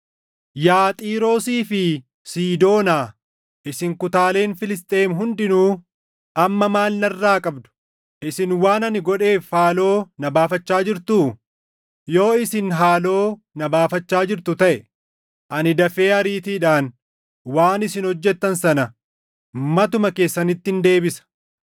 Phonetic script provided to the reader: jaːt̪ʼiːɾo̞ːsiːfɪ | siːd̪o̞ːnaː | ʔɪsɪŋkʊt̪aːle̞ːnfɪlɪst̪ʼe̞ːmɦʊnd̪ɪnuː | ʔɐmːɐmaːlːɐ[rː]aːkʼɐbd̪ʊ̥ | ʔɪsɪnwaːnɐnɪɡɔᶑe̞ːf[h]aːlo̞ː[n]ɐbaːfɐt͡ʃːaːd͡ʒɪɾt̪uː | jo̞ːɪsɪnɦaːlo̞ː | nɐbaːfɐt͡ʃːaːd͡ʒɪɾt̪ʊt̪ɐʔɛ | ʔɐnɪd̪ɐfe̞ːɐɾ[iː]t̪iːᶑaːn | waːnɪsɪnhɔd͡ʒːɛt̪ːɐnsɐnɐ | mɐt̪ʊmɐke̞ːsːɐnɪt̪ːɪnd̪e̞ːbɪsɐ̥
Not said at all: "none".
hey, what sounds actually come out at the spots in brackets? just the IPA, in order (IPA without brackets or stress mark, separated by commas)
rː, h, n, iː